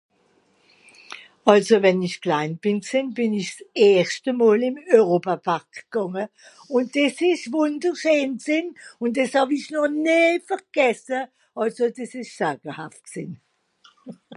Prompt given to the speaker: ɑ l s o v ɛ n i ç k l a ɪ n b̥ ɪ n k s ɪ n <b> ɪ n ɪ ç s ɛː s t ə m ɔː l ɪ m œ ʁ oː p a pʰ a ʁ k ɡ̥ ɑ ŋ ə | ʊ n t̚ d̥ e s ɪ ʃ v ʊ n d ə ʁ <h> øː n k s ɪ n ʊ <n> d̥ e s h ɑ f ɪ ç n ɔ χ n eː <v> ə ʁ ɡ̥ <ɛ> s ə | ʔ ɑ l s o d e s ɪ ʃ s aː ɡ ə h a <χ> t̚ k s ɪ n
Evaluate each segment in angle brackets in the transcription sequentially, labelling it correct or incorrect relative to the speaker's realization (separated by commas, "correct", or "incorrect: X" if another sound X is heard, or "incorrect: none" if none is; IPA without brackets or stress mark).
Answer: correct, incorrect: ʃ, correct, incorrect: f, correct, incorrect: f